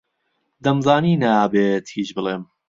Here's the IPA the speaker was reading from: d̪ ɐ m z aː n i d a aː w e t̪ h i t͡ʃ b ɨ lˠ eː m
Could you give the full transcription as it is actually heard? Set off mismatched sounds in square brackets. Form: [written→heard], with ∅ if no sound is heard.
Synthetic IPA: d̪ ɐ m z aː n i [d→n] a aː [w→b] e t̪ h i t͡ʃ b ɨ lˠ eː m